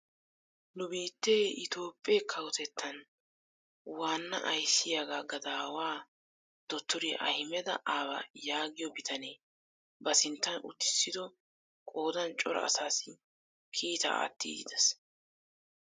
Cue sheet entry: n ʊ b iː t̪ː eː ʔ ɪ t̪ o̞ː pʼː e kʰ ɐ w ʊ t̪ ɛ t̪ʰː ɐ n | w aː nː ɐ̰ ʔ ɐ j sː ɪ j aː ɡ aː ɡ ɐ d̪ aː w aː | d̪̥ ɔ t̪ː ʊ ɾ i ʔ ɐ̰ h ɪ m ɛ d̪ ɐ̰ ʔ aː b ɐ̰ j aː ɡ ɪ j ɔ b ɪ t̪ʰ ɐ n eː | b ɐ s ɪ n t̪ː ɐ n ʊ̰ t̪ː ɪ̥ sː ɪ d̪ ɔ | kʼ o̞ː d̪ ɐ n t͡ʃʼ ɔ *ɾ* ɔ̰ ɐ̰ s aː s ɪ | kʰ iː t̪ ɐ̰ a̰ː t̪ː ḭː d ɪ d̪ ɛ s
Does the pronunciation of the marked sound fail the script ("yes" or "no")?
no